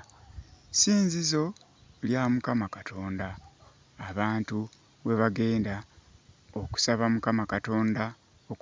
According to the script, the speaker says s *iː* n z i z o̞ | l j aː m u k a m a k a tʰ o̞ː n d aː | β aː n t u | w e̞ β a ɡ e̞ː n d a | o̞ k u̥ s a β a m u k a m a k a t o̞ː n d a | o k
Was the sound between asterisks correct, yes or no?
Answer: yes